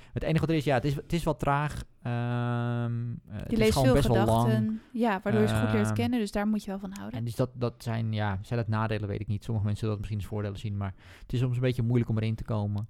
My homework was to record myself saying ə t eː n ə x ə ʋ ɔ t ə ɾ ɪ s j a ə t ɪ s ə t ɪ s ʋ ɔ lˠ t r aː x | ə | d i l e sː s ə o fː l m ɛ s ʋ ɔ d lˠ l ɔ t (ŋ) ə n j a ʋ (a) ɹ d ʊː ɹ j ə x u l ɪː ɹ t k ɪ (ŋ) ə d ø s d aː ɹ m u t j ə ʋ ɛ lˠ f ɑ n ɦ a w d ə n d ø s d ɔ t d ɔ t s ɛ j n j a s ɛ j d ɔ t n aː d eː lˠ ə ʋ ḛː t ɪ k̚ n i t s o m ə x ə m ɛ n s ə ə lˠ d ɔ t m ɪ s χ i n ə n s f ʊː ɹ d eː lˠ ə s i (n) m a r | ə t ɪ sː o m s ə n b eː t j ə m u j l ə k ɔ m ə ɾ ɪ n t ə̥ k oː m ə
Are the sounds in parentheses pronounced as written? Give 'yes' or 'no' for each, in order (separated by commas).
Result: yes, yes, no, yes